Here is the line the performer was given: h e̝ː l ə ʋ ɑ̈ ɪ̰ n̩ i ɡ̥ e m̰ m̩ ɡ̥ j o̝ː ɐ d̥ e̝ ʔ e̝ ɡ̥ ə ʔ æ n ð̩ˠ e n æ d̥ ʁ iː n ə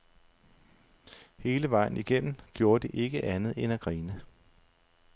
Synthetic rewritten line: h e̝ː l ə ʋ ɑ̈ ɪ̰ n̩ i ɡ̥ e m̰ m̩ ɡ̥ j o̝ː ɐ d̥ e̝ ʔ e̝ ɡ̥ ə ʔ æ n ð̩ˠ e n æ ɡ̥ ʁ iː n ə